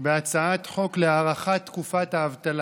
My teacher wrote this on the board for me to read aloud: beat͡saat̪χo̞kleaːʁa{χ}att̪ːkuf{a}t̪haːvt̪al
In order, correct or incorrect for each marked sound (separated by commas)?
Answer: correct, correct